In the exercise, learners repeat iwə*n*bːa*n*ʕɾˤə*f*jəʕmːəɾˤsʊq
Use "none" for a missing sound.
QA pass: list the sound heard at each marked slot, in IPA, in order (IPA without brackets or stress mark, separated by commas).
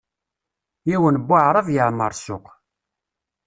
n, none, v